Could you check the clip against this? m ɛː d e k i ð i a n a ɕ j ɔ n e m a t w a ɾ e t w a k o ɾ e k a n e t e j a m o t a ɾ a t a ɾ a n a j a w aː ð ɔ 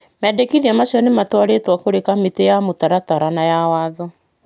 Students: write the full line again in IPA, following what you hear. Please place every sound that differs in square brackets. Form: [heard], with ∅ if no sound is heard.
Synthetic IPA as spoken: m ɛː d e k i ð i a [m] a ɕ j ɔ n e m a t w a ɾ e t w a k o ɾ e k a [m] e t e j a m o t a ɾ a t a ɾ a n a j a w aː ð ɔ